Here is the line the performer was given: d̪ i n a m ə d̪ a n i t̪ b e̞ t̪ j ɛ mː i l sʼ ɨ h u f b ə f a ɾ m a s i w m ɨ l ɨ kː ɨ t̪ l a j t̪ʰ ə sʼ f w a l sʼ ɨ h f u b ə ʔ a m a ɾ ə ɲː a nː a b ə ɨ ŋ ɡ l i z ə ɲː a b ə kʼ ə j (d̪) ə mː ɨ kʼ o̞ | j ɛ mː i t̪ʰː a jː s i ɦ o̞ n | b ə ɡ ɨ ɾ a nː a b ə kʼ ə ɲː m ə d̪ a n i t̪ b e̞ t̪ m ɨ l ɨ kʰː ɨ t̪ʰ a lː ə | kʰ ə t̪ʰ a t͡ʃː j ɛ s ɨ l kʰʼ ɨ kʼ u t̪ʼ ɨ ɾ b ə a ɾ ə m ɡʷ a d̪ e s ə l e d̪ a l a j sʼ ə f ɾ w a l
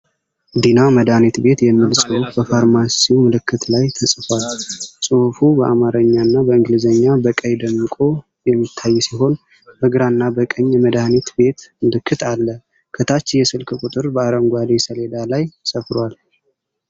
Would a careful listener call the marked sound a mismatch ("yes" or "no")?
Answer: no